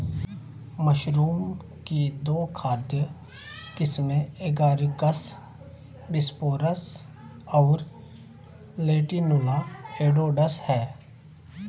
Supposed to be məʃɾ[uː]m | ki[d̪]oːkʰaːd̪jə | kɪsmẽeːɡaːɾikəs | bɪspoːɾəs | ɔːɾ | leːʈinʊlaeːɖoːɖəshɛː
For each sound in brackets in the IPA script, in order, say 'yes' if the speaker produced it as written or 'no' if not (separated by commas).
yes, yes